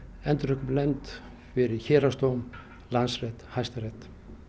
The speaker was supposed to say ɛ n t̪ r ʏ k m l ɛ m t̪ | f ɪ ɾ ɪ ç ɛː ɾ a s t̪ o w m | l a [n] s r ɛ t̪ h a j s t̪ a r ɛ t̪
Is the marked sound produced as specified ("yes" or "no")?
yes